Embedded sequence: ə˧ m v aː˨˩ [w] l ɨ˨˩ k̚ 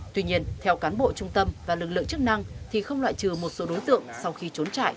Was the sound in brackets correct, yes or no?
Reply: no